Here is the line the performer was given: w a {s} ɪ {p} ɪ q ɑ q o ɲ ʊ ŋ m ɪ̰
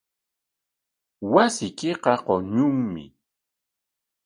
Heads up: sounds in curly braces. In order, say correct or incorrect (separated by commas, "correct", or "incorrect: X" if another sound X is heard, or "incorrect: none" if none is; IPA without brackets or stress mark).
correct, incorrect: k